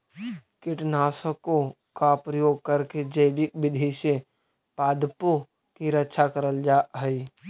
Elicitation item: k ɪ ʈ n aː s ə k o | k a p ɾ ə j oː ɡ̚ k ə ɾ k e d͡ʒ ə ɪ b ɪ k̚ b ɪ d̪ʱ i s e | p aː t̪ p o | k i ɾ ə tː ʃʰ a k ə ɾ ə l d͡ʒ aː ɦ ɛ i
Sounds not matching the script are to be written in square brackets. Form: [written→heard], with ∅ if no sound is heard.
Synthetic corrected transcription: k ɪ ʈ n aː s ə k o | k a p ɾ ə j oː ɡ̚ k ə ɾ k e d͡ʒ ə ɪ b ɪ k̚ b ɪ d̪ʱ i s e | p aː [t̪→d̪] p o | k i ɾ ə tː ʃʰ a k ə ɾ ə l d͡ʒ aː ɦ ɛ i